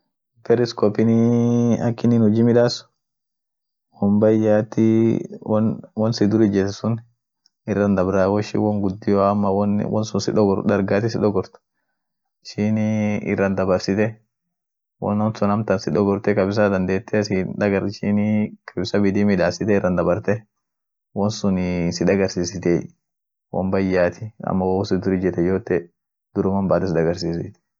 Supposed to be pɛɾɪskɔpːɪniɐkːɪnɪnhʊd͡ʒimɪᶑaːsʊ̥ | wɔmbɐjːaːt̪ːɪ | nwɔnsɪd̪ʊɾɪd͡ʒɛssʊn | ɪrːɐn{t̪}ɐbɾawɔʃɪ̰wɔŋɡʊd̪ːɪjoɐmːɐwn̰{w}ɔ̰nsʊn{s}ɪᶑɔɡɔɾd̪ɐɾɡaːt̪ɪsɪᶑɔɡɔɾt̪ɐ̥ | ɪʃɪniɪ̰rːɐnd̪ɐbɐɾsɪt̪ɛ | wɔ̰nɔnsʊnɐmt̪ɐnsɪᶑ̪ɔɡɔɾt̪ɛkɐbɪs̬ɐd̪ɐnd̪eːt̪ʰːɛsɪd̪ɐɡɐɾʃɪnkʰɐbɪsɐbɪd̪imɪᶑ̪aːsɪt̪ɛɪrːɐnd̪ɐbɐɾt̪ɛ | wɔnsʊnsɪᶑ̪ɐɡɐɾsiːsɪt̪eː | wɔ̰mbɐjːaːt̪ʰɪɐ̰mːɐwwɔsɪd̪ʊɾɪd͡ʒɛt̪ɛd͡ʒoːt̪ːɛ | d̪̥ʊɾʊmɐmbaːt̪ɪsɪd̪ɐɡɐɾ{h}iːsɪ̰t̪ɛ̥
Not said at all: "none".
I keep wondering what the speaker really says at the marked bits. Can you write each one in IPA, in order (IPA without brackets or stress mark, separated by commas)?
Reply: d̪, w, s, s